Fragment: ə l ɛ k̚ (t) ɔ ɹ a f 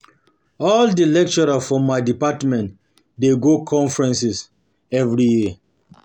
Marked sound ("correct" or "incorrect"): incorrect